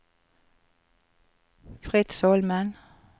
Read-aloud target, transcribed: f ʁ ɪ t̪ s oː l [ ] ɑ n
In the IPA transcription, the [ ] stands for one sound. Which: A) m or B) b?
A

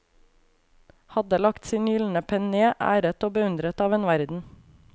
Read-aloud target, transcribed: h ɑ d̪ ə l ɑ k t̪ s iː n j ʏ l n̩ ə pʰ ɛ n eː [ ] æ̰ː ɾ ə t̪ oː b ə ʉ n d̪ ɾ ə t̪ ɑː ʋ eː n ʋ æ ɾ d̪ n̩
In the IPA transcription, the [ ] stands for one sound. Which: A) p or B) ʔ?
B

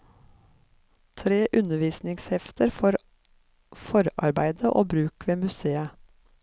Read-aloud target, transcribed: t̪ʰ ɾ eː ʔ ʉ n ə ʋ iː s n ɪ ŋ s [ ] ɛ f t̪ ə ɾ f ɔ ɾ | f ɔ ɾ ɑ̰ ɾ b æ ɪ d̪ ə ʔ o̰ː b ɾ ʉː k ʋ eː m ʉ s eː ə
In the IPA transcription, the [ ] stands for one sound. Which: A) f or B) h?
B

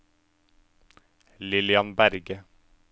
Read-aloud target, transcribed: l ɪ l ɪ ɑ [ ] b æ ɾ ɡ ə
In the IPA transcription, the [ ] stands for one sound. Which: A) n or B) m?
A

